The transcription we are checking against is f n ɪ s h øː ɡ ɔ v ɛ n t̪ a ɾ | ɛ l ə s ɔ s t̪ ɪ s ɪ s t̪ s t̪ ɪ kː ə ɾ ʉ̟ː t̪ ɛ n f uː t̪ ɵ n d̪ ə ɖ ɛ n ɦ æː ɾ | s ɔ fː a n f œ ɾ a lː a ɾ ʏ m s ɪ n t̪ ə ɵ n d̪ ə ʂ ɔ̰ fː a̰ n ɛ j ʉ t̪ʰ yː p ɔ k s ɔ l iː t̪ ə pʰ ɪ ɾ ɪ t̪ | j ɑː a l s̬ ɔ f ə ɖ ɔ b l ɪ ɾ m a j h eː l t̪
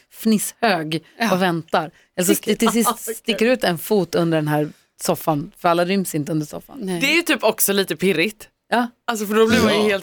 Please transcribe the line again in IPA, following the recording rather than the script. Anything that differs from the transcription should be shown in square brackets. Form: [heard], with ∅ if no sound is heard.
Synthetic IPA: f n ɪ s h øː ɡ ɔ v ɛ n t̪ a ɾ | ɛ l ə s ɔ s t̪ ɪ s ɪ s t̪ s t̪ ɪ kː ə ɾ ʉ̟ː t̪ ɛ n f uː t̪ ɵ n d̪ ə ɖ ɛ n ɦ æː ɾ | s ɔ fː a n f œ ɾ a lː a ɾ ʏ m s ɪ n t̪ ə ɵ n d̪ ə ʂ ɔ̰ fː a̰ n ɛ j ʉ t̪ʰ yː p ɔ k s ɔ l iː t̪ ə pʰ ɪ ɾ ɪ t̪ | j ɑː a l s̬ ɔ f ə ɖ ɔ b l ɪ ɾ m a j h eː l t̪